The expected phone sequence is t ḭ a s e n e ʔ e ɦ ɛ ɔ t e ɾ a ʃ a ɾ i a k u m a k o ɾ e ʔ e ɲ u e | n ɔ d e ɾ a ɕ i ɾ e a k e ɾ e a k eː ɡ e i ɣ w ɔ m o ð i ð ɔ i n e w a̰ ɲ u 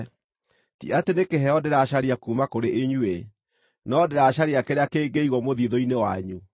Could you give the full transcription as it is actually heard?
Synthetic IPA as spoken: t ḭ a t e n e k e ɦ ɛ ɔ d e ɾ a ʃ a ɾ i a k u m a k o ɾ e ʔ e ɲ u e | n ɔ d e ɾ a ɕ a ɾ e a k e ɾ e a k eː ɡ e i ɣ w ɔ m o ð i ð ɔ i n e w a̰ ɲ u